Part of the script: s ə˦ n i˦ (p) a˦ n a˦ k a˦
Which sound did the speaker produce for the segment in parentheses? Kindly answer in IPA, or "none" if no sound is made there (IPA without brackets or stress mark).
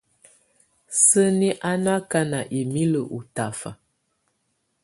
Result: ʔ